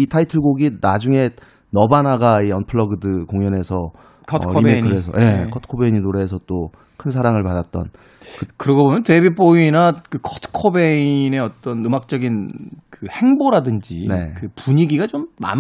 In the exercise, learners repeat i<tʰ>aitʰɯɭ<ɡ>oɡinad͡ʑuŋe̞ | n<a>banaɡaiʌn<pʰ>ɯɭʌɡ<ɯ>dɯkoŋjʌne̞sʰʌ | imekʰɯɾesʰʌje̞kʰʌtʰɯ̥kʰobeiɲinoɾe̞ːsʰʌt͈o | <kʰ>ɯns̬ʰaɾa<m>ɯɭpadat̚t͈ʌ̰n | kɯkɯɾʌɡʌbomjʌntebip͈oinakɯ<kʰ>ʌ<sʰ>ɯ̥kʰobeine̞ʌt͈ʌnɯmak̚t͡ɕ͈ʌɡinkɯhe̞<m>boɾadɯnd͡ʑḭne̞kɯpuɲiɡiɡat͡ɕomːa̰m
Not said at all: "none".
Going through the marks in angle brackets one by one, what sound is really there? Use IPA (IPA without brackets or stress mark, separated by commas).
tʰ, ɡ, ʌ, pʰ, ɯ, kʰ, ŋ, kʰ, tʰ, ŋ